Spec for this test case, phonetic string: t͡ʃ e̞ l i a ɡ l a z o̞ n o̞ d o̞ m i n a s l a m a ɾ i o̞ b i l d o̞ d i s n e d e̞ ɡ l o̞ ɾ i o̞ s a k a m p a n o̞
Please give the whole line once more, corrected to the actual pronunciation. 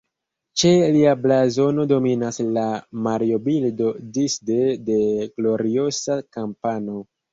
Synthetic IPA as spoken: t͡ʃ e̞ l i a b l a z o̞ n o̞ d o̞ m i n a s l a m a ɾ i o̞ b i l d o̞ d i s d e d e̞ ɡ l o̞ ɾ i o̞ s a k a m p a n o̞

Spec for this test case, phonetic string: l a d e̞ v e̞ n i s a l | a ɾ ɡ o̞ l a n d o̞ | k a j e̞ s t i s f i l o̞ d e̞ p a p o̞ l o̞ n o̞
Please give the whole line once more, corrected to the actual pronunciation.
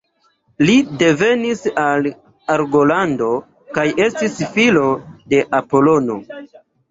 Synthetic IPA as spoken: l i d e̞ v e̞ n i s a l | a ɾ ɡ o̞ l a n d o̞ | k a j e̞ s t i s f i l o̞ d e̞ ʔ a p o̞ l o̞ n o̞

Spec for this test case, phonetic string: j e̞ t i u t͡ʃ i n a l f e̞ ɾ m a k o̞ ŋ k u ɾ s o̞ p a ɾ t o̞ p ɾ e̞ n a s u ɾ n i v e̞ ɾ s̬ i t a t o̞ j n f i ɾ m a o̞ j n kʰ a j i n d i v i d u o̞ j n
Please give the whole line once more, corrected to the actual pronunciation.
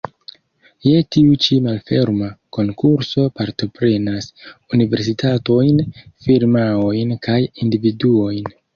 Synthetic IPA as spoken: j e̞ t i u t͡ʃ i m a l f e̞ ɾ m a k o̞ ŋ k u ɾ s o̞ p a ɾ t o̞ p ɾ e̞ n a s u n i v e̞ ɾ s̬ i t a t o̞ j n f i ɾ m a o̞ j n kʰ a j i n d i v i d u o̞ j n

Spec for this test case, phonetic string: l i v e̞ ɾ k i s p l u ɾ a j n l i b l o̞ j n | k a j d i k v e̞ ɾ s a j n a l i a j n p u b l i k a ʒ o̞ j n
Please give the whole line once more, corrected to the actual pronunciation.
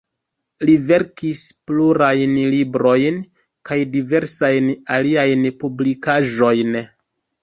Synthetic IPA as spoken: l i v e̞ ɾ k i s p l u ɾ a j n l i b ɾ o̞ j n | k a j d i v e̞ ɾ s a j n a l i a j n p u b l i k a ʒ o̞ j n

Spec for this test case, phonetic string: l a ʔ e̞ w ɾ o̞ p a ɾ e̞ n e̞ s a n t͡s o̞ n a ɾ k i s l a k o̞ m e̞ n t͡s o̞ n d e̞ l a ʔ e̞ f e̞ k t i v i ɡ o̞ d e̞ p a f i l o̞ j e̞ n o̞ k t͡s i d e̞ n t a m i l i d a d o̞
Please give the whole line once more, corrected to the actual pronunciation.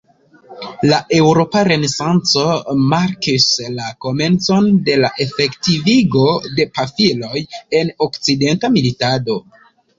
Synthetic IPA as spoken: l a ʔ e̞ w ɾ o̞ p a ɾ e̞ n e̞ s a n t͡s o̞ m a ɾ k i s l a k o̞ m e̞ n t͡s o̞ n d e̞ l a ʔ e̞ f e̞ k t i v i ɡ o̞ d e̞ p a f i l o̞ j e̞ n o̞ k t͡s i d e̞ n t a m i l i t a d o̞

